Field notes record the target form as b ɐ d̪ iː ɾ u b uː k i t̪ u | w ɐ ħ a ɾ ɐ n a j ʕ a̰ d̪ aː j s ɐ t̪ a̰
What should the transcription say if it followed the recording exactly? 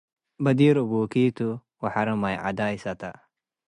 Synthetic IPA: b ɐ d̪ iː ɾ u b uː k i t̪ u | w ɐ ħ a ɾ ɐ m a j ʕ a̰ d̪ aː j s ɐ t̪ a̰